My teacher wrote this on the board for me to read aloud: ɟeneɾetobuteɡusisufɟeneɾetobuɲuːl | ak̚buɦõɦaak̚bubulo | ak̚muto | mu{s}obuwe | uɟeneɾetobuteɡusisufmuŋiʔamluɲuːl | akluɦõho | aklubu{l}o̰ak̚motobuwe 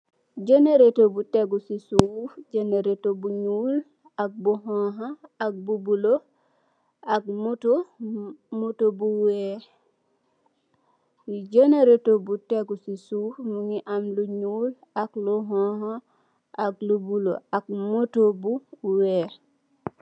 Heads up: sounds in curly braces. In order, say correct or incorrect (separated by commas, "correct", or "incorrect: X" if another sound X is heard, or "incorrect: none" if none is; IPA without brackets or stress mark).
incorrect: t, correct